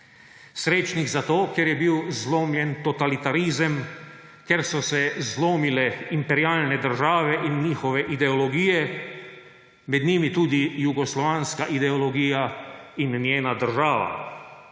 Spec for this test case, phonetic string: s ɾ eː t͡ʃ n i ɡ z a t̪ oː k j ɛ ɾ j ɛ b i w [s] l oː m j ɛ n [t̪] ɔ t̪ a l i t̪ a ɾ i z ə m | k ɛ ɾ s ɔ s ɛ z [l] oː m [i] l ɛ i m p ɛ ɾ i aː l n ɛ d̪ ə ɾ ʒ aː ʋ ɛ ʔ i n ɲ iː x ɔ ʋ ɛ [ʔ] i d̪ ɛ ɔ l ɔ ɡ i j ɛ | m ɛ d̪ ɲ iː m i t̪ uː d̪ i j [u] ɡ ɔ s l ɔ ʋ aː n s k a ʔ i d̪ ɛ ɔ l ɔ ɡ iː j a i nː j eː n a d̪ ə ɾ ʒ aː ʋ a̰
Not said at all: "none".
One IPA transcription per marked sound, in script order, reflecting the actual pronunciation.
z, t̪, l, i, ʔ, u

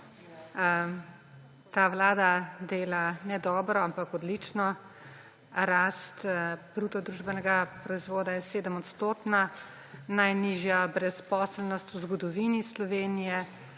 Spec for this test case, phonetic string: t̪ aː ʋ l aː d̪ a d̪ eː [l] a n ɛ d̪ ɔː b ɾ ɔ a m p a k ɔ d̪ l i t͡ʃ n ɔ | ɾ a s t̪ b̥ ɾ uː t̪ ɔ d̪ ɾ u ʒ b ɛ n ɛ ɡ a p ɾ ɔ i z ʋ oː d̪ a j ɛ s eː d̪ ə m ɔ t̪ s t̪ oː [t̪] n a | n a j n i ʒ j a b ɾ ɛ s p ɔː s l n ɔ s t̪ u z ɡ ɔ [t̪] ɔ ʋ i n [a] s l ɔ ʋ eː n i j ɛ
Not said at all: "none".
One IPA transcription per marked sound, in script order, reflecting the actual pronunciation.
l, t̪, d̪, i

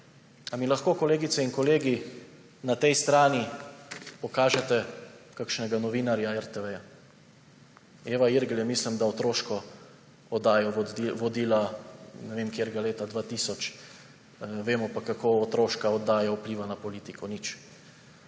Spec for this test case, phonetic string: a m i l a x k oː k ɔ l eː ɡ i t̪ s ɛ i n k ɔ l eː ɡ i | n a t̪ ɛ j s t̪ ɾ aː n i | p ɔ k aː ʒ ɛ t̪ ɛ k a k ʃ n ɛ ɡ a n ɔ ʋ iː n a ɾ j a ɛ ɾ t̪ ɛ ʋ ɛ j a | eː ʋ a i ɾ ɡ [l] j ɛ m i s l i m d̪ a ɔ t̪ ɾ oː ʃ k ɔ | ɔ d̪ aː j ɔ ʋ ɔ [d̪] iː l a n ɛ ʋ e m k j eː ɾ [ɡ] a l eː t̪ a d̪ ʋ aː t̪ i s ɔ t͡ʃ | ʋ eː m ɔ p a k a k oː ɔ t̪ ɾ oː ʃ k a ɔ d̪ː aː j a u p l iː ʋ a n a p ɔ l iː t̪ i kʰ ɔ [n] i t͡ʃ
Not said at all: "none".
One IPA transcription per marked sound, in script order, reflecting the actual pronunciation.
l, d̪, ɡ, n

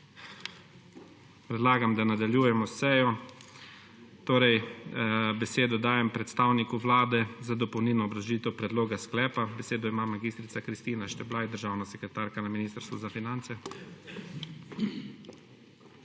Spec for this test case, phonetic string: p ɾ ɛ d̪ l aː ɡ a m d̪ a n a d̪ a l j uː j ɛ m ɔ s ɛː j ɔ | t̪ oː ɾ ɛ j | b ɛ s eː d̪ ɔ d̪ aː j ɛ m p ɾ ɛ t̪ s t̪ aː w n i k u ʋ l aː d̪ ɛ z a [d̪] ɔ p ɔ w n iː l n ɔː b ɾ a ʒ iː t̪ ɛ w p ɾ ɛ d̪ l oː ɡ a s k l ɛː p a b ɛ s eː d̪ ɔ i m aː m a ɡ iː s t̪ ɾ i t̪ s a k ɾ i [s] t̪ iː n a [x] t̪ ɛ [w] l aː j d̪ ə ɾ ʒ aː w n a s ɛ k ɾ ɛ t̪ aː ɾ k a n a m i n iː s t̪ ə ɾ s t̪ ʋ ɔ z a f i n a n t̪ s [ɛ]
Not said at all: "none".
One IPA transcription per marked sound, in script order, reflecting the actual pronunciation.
d̪, s, ʃ, b, ɛ

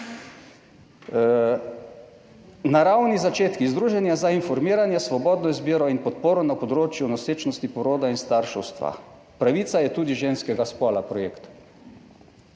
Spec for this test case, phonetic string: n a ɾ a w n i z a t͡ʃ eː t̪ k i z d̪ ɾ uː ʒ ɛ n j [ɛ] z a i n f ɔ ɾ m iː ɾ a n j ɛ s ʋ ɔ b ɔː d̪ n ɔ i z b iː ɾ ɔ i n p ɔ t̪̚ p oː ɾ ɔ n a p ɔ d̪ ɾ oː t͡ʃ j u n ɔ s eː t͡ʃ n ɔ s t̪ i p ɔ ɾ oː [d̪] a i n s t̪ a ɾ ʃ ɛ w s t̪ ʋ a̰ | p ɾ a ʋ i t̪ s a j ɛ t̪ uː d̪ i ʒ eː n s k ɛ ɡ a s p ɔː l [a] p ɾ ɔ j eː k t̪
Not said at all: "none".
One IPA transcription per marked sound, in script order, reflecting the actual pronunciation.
a, d̪, a

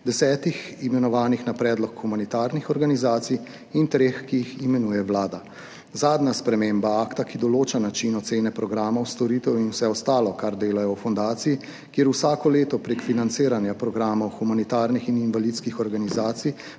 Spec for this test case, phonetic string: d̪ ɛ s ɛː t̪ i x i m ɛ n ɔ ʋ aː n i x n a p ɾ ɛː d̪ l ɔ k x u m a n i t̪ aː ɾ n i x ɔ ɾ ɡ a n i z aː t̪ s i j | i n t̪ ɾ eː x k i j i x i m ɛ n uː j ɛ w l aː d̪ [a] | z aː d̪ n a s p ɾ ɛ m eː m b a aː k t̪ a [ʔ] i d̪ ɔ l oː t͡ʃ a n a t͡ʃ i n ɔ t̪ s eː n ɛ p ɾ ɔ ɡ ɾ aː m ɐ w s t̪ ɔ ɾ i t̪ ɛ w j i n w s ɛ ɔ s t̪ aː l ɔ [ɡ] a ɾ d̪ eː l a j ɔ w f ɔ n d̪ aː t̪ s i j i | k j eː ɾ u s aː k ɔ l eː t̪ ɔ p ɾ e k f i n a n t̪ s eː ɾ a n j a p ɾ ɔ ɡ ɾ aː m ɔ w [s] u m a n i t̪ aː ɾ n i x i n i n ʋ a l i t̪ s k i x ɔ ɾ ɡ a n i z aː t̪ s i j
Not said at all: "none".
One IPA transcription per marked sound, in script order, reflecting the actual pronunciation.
a, k, k, x

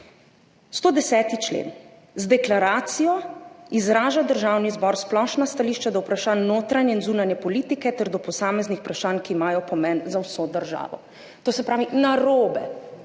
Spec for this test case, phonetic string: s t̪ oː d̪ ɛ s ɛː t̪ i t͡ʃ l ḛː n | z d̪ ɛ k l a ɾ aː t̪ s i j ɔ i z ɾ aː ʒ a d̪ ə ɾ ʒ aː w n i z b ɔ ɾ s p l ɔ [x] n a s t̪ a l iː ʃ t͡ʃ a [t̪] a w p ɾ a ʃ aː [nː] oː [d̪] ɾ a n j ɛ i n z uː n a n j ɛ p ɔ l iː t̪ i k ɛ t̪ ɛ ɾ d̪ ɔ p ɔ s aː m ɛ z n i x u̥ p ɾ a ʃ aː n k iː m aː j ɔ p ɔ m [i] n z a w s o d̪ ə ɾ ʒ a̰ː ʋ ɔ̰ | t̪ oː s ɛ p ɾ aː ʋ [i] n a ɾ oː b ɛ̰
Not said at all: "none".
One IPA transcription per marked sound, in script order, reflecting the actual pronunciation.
ʃ, d̪, nː, t̪, ɛ, i

